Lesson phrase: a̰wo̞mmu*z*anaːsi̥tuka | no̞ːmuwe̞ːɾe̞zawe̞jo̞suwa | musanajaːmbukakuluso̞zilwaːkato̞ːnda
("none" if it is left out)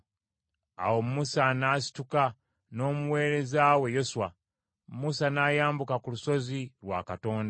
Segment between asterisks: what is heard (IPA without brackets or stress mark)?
s